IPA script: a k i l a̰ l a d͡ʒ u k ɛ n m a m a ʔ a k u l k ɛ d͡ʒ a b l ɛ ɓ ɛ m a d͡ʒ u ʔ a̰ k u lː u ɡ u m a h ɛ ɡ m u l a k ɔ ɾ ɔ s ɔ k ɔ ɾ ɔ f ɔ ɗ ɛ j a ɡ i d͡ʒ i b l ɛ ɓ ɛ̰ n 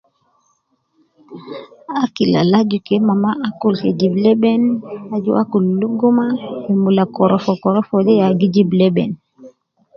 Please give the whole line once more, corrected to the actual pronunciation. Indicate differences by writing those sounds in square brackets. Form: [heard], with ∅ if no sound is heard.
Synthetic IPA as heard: a k i l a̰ l a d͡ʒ u k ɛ [∅] m a m a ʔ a k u l k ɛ d͡ʒ [i] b l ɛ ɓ ɛ [n] a d͡ʒ u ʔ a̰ k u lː u ɡ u m a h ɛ [∅] m u l a k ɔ ɾ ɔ [f] ɔ k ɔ ɾ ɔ f ɔ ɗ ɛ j a ɡ i d͡ʒ i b l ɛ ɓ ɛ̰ n